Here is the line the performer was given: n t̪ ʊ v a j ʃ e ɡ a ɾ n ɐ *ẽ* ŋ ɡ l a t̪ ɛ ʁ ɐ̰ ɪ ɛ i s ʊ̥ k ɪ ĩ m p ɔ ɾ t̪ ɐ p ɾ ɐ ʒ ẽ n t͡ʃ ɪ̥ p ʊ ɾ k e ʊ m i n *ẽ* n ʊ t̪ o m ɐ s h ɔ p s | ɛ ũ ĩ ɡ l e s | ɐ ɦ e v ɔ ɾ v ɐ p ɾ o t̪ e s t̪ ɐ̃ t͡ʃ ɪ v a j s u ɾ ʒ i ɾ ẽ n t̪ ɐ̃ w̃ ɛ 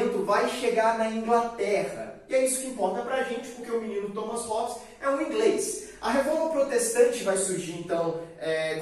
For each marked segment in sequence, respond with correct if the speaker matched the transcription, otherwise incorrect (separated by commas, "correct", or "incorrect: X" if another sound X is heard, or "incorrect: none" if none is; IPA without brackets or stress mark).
incorrect: ĩ, incorrect: ĩ